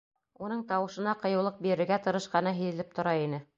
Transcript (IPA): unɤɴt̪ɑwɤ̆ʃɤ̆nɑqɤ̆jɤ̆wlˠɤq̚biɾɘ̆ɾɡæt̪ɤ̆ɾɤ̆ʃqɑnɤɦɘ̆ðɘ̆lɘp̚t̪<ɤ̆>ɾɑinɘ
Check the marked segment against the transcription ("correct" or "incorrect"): incorrect